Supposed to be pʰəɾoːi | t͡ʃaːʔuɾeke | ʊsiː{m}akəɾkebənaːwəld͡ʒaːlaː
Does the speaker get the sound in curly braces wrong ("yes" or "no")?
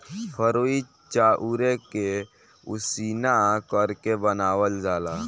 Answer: yes